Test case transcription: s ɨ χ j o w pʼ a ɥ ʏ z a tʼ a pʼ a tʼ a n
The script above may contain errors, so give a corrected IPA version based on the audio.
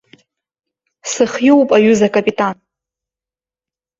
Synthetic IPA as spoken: s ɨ χ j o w pʼ a ɥ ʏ z a kʼ a pʼ i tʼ a n

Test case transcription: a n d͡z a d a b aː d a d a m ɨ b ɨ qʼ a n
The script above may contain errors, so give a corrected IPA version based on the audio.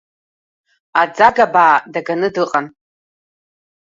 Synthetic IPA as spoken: a d͡z a ɡ a b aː d a ɡ a n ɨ d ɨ qʼ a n

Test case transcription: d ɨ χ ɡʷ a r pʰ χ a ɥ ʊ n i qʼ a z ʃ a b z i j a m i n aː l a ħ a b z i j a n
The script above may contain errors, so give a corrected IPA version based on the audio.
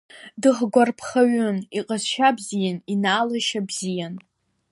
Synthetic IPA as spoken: d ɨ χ ɡʷ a r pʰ χ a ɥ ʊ n i qʼ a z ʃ a b z i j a n i n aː l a ʃ a b z i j a n

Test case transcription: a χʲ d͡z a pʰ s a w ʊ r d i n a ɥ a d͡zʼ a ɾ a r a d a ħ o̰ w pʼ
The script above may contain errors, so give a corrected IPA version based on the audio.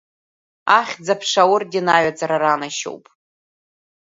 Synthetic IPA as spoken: a χʲ d͡z a pʰ ʂ a w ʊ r d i n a ɥ a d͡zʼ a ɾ a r a n a ʃ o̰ w pʼ

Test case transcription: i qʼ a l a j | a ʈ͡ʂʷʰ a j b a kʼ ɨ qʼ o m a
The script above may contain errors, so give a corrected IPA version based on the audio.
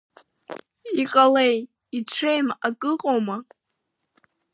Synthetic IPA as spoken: i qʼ a l e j | i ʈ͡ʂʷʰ e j m a kʼ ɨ qʼ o m a

